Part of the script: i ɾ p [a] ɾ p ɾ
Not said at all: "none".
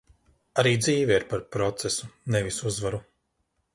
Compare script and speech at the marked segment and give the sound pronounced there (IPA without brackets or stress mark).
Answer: a